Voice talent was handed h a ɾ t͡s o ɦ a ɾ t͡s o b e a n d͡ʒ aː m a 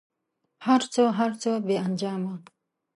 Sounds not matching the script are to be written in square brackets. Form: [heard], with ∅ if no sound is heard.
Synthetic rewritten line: h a ɾ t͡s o ɦ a ɾ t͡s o b e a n d͡ʒ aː m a